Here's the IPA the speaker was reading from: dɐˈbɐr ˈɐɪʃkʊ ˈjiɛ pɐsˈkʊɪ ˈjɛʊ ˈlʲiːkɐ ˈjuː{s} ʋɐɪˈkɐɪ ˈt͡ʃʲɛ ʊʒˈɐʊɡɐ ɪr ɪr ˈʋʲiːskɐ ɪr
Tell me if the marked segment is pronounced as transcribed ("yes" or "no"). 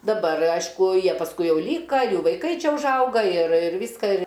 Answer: no